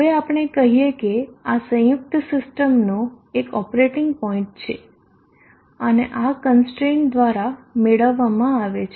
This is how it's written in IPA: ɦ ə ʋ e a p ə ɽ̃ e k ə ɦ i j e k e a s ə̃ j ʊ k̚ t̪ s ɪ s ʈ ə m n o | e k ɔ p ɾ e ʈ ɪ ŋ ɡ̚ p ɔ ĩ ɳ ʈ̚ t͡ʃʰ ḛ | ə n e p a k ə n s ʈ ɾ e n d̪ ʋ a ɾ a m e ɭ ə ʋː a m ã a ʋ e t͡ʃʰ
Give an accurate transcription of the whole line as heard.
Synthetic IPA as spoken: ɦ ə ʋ e a p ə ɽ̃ e k ə ɦ i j e k e a s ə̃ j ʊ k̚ t̪ s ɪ s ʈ ə m n o | e k ɔ p ɾ e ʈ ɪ ŋ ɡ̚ p ɔ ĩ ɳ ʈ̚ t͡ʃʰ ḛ | ə n e ʔ a k ə n s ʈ ɾ e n d̪ ʋ a ɾ a m e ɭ ə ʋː a m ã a ʋ e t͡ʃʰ

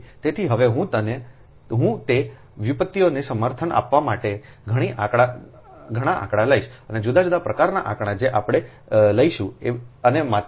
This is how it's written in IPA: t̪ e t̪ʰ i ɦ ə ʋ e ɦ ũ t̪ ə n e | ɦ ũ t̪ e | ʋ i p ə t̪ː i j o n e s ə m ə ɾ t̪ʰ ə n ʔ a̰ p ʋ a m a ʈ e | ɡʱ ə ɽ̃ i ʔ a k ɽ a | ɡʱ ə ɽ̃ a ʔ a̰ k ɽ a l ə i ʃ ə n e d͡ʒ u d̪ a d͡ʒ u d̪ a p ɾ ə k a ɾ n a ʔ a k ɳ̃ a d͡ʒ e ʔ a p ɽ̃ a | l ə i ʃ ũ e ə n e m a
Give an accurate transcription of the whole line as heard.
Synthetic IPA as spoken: t̪ e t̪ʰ i ɦ ə ʋ e ɦ ũ t̪ ə n e | ɦ ũ t̪ e | ʋ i p ə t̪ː i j o n e s ə m ə ɾ t̪ʰ ə n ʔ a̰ p ʋ a m a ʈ e | ɡʱ ə ɽ̃ i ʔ a k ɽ a | ɡʱ ə ɽ̃ a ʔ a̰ k ɽ a l ə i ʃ ə n e d͡ʒ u d̪ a d͡ʒ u d̪ a p ɾ ə k a ɾ n a ʔ a k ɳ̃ a d͡ʒ e ʔ a p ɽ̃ e | l ə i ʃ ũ e ə n e m a

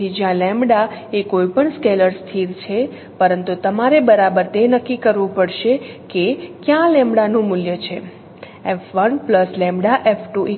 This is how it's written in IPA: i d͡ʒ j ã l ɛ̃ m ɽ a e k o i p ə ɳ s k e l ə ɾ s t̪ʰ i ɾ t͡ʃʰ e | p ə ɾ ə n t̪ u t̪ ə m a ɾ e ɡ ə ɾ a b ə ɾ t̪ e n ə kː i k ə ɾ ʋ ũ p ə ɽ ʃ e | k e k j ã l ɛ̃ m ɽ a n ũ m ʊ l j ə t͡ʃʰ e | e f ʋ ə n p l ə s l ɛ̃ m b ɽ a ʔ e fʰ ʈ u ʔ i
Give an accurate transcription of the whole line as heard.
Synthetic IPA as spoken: i d͡ʒ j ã l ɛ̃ m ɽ a e k o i p ə ɳ s k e l ə ɾ s t̪ʰ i ɾ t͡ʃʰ e | p ə ɾ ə n t̪ u t̪ ə m a ɾ e b ə ɾ a b ə ɾ t̪ e n ə kː i k ə ɾ ʋ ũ p ə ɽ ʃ e | k e k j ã l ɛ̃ m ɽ a n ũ m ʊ l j ə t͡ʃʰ e | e f ʋ ə n p l ə s l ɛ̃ m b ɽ a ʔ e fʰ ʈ u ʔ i

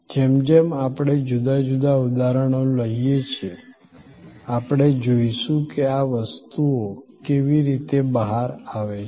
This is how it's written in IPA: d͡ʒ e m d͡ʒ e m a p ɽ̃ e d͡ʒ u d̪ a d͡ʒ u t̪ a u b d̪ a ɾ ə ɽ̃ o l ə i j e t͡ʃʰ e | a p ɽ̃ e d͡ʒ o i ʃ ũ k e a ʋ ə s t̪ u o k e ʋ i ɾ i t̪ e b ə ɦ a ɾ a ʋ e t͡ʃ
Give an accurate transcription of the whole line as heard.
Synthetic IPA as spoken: d͡ʒ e m d͡ʒ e m a p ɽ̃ e d͡ʒ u d̪ a d͡ʒ u d̪ a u d̪ a ɾ ə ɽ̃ o l ə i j e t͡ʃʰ e | a p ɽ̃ e d͡ʒ o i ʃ ũ k e a ʋ ə s t̪ u o k e ʋ i ɾ i t̪ e b ə ɦ a ɾ a ʋ e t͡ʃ

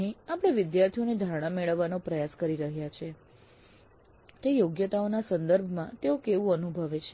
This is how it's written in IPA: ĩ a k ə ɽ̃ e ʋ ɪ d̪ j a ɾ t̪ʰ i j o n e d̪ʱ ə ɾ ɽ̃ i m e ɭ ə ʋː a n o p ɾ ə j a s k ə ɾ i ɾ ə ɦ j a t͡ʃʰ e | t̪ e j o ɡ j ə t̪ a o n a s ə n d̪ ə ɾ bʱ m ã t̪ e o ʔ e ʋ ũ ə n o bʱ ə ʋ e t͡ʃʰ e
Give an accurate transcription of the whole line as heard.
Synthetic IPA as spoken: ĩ a p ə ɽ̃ e ʋ ɪ d̪ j a ɾ t̪ʰ i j o n e d̪ʱ a ɾ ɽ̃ a m e ɭ ə ʋː a n o p ɾ ə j a s k ə ɾ i ɾ ə ɦ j a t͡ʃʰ e | t̪ e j o ɡ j ə t̪ a o n a s ə n d̪ ə ɾ bʱ m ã t̪ e o k e ʋ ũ ə n u bʱ ə ʋ e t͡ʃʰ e

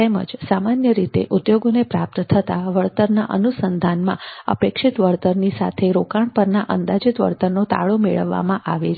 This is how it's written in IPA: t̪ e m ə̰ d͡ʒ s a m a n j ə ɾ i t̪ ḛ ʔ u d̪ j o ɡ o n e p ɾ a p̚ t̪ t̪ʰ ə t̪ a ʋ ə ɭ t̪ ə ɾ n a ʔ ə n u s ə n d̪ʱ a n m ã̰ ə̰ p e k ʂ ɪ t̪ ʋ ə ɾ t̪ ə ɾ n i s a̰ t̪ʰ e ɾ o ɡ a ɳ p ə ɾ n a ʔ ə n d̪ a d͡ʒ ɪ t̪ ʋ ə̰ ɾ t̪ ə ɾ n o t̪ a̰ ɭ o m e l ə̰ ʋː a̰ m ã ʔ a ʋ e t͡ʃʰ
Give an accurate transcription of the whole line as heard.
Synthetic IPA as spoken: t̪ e m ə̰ d͡ʒ s a m a n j ə ɾ i t̪ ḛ ʔ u d̪ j o ɡ o n e p ɾ a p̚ t̪ t̪ʰ ə t̪ a ʋ ə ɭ t̪ ə ɾ n a ʔ ə n u s ə n d̪ʱ a n m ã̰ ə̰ p e k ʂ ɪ t̪ ʋ ə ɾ t̪ ə ɾ n i s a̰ t̪ʰ e ɾ o k a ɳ p ə ɾ n a ʔ ə n d̪ a d͡ʒ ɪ t̪ ʋ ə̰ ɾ t̪ ə ɾ n o t̪ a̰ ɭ o m e ɭ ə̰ ʋː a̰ m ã ʔ a ʋ e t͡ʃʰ

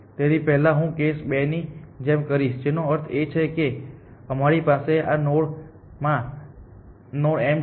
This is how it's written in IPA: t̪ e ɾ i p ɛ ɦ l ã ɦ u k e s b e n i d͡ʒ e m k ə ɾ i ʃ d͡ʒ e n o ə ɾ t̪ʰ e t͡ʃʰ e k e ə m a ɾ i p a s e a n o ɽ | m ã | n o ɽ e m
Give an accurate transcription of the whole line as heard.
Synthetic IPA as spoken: t̪ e ɾ i p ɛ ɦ l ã ɦ ũ k e s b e n i d͡ʒ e m k ə ɾ i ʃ d͡ʒ e n o ə ɾ t̪ʰ e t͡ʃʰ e k e ə m a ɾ i p a s e a n o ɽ | m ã | n o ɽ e m

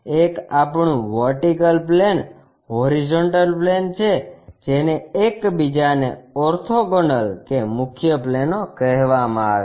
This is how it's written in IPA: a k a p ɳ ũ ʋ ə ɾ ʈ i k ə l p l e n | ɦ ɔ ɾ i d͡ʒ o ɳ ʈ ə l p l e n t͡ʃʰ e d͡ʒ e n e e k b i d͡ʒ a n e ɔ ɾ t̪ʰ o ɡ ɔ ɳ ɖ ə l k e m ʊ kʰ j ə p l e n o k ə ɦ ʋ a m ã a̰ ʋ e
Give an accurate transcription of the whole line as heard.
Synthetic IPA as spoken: e k a p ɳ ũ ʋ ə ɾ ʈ i k ə l p l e n | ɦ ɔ ɾ i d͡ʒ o ɳ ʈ ə l p l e n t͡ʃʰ e d͡ʒ e n e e k b i d͡ʒ a n e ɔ ɾ t̪ʰ o ɡ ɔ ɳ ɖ ə l k e m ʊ kʰ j ə p l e n o k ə ɦ ʋ a m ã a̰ ʋ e

